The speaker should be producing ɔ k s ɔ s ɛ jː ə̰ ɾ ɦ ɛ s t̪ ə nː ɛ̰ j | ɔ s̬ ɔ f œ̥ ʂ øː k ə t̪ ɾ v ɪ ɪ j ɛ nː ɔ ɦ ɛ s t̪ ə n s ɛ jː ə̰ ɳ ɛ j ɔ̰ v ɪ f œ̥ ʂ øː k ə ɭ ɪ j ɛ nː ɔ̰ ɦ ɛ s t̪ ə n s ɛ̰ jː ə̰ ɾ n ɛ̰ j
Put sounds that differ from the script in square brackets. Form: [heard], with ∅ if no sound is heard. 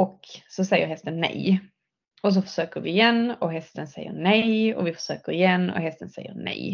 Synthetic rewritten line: ɔ k s ɔ s ɛ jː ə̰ ɾ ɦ ɛ s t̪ ə nː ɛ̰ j | ɔ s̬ ɔ f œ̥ ʂ øː k ə [∅] ɾ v ɪ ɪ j ɛ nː ɔ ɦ ɛ s t̪ ə n s ɛ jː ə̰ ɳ ɛ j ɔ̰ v ɪ f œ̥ ʂ øː k ə [ɾ] ɪ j ɛ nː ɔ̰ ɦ ɛ s t̪ ə n s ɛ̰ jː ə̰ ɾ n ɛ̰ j